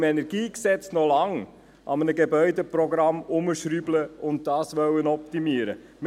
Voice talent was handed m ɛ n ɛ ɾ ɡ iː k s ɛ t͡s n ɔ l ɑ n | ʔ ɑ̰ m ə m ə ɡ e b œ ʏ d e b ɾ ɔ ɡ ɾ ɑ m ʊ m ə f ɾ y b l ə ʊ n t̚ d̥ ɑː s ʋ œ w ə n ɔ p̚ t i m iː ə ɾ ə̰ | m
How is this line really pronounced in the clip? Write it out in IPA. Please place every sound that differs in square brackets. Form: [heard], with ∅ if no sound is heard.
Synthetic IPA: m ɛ n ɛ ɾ ɡ iː k s ɛ t͡s n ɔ l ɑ [ŋ] | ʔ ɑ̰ m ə [n] ə ɡ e b œ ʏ d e [p] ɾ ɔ ɡ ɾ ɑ m ʊ m ə [ʃ] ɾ y b l ə ʊ n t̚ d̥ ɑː s ʋ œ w ə n ɔ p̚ t i m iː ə ɾ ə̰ | m